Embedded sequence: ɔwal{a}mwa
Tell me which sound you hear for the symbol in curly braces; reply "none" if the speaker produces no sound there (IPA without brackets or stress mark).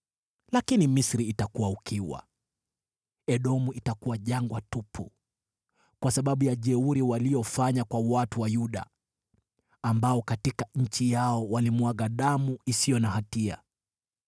i